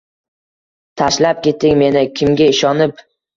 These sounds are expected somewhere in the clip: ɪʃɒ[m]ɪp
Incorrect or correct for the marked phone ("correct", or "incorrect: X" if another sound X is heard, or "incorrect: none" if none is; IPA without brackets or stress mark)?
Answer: incorrect: n